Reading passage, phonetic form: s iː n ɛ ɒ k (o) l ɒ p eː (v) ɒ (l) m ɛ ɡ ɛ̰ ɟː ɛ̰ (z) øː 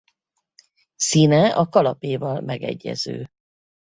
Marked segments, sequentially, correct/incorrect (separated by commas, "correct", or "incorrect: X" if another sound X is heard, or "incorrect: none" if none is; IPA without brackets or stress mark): incorrect: ɒ, correct, correct, correct